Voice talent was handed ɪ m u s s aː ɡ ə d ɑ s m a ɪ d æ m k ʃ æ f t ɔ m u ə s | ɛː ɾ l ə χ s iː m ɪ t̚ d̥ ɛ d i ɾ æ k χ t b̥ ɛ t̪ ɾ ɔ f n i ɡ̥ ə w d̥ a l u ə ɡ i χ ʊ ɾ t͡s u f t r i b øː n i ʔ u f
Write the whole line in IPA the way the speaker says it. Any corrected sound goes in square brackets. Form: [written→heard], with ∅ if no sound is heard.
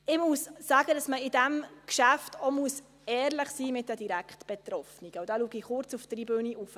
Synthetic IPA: ɪ m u s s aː ɡ ə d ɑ s m [a→ə] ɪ d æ m k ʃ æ f t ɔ m u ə s | ɛː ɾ l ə χ s iː m ɪ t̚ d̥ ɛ d i ɾ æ k χ t b̥ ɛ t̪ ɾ ɔ f n i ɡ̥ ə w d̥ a l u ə ɡ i χ ʊ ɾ t͡s u f t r i b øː n i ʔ u f

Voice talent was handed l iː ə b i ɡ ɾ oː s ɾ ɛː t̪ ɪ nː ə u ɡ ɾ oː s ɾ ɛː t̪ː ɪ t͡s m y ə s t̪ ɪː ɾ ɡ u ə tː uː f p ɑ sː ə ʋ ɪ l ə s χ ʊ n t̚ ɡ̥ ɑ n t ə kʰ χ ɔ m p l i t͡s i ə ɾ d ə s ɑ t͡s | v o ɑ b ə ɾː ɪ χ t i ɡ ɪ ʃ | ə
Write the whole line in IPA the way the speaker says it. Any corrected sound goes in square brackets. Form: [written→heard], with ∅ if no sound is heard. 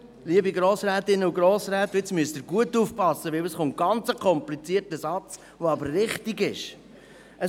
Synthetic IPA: l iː ə b i ɡ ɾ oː s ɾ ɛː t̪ ɪ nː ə u ɡ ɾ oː s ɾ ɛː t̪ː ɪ t͡s m y ə s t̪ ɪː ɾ ɡ u ə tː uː f p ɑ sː ə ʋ ɪ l ə s χ ʊ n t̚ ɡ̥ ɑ n [t→t͡s] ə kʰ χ ɔ m p l i t͡s i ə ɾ [d→t] ə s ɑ t͡s | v o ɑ b ə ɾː ɪ χ t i ɡ ɪ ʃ | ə

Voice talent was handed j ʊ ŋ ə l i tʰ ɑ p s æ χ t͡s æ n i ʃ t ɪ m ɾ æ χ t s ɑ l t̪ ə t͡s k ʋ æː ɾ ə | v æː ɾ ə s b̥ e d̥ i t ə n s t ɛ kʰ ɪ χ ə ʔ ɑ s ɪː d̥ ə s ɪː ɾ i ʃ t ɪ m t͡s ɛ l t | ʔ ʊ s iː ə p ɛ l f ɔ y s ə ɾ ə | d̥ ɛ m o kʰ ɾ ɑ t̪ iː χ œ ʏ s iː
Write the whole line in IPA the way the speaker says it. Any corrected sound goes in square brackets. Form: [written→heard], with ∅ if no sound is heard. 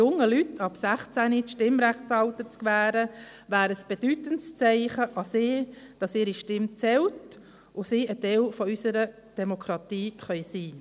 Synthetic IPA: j ʊ ŋ ə l [i→y] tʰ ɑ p s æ χ t͡s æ n i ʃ t ɪ m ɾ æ χ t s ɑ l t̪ ə t͡s k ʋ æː ɾ ə | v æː ɾ ə s b̥ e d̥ [i→y] t ə n s [t→t͡s] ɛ [kʰ→∅] ɪ χ ə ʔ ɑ s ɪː d̥ [ə→ɑ] s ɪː ɾ i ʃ t ɪ m t͡s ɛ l t | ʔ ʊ s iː ə [p→t] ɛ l f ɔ y s ə ɾ ə | d̥ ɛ m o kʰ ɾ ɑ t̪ iː χ œ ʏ s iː

